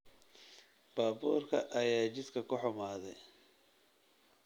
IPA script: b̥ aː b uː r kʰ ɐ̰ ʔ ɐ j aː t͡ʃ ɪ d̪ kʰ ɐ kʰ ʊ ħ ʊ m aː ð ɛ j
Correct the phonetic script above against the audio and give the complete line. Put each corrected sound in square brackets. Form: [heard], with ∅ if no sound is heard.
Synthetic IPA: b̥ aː b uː r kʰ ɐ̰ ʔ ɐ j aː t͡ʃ ɪ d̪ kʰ ɐ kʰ ʊ ħ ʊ m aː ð ɛ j